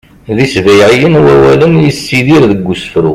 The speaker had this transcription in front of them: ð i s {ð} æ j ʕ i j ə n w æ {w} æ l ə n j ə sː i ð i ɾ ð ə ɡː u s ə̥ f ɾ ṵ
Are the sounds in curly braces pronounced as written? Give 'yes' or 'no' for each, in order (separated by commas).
no, yes